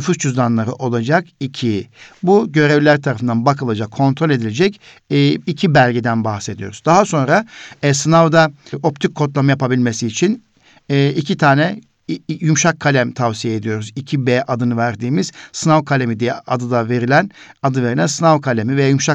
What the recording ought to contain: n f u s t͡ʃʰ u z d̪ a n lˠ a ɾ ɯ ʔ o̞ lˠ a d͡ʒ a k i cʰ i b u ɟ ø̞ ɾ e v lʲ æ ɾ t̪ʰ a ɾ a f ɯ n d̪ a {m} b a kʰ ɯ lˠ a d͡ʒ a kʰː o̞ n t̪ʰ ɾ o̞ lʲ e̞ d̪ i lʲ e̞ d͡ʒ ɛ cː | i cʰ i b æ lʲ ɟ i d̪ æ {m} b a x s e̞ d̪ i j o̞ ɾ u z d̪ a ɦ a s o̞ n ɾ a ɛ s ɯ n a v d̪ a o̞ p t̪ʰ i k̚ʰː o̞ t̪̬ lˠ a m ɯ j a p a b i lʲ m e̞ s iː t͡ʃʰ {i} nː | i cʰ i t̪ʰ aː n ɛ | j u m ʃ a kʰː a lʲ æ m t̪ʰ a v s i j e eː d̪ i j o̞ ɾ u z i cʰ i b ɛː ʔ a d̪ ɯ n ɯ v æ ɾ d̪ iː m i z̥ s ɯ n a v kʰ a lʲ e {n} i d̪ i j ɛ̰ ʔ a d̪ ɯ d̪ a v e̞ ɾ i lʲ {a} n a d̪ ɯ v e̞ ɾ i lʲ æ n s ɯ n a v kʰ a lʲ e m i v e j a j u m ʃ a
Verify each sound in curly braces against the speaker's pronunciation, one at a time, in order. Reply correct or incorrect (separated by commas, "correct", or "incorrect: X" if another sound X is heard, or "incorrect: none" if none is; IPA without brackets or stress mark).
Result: incorrect: n, incorrect: n, correct, incorrect: m, incorrect: æ